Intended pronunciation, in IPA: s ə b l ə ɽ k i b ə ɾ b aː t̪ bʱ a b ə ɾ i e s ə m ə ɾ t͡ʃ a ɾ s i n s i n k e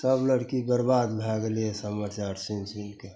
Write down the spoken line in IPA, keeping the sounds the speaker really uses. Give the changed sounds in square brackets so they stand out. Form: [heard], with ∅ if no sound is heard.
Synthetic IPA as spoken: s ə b l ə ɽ k i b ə ɾ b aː [d̪] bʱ a [ɡ] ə [l] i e s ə m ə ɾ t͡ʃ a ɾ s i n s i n k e